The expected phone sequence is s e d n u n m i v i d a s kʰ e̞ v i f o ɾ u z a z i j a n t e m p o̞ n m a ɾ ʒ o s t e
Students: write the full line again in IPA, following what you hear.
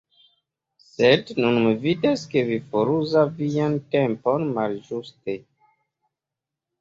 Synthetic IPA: s e d n u n m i v i d a s k e̞ v i f o ɾ u z a v i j a n t e m p o̞ n m a l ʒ u s t e